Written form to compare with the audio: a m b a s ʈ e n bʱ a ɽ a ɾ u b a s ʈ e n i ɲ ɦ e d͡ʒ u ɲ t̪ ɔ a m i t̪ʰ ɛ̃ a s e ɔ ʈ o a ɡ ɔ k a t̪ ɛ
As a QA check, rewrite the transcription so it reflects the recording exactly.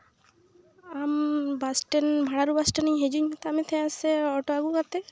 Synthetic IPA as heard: a m b a s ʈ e n bʱ a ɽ a ɾ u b a s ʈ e n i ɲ ɦ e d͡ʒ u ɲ t̪ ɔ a m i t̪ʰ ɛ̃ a s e ɔ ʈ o a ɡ u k a t̪ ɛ